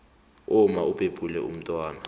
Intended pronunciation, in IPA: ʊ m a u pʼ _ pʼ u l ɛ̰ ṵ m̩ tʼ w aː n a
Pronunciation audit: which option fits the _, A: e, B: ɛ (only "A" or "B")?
A